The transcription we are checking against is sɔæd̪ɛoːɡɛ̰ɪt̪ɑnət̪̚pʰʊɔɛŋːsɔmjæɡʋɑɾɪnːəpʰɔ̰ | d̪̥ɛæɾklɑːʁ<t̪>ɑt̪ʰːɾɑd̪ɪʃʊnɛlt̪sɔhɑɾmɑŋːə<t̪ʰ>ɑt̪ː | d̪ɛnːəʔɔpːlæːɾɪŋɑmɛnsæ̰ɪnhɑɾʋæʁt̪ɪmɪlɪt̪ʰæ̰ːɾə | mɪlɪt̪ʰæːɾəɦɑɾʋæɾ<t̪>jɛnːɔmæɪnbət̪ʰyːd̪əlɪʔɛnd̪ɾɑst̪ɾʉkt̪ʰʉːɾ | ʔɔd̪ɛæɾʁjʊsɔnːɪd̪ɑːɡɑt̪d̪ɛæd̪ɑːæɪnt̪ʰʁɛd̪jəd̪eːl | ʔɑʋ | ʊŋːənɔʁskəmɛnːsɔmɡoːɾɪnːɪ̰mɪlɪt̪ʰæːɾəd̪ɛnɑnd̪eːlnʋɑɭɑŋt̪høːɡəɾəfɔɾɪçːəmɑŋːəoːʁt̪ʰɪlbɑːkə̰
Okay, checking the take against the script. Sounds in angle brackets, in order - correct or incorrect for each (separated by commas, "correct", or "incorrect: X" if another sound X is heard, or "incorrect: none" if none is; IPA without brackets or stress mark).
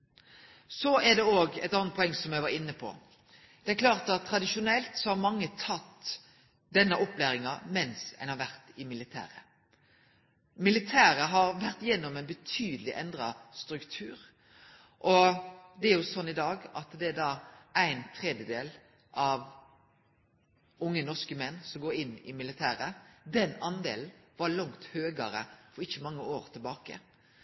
correct, correct, correct